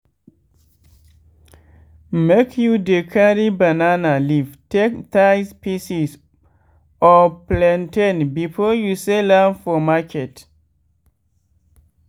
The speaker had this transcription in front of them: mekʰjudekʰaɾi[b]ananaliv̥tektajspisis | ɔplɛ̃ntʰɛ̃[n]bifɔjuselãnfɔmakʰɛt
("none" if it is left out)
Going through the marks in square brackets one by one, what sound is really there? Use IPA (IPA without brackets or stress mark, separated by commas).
b, n